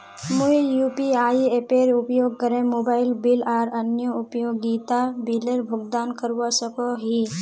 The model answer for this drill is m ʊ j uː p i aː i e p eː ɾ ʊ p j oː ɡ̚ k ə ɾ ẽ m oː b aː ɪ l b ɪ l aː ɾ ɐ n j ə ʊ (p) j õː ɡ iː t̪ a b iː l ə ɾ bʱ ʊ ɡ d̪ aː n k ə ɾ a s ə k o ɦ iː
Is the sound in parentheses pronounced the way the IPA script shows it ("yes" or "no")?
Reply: yes